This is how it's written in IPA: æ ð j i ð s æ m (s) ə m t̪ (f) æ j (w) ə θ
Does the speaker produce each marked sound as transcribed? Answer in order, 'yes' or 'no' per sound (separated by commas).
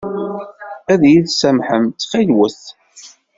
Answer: no, yes, yes